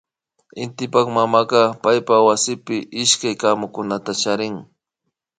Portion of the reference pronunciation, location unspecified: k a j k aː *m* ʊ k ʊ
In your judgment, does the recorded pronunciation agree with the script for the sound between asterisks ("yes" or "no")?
yes